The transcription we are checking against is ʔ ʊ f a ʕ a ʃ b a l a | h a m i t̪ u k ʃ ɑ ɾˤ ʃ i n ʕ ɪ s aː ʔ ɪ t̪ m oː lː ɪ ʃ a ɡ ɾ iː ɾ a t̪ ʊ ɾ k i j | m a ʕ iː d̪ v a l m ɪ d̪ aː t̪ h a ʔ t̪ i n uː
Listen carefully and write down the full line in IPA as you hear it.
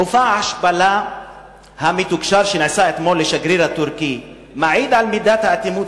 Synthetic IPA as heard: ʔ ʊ f a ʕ a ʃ b a l a | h a m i t̪ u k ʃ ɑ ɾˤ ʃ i n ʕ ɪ s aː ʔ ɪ t̪ m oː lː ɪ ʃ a ɡ ɾ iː ɾ a t̪ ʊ ɾ k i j | m a ʕ iː d̪ ʕ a l m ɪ d̪ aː t̪ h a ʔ t̪ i m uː